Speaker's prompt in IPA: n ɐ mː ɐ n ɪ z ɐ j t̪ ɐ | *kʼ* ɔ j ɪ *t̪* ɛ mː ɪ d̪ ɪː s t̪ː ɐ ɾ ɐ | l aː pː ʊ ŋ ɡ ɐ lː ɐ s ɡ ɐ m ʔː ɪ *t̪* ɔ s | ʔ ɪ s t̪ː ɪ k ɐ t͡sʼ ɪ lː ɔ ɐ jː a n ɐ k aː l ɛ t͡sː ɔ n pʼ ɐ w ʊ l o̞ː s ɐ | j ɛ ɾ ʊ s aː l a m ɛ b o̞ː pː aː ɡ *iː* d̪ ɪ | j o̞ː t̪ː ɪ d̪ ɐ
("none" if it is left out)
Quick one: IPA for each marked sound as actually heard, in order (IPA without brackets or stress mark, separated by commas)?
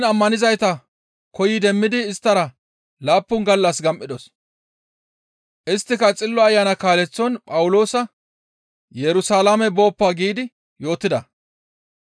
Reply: k, d̪, d̪, iː